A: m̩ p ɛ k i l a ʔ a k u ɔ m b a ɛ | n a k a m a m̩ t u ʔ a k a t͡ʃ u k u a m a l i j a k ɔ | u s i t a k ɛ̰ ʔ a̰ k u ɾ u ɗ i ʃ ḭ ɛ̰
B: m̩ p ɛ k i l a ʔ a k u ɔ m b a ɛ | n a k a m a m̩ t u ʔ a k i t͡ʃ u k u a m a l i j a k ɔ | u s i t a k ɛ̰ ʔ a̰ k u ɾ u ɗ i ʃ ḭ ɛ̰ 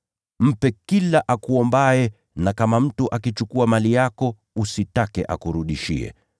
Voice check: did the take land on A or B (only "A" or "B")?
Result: B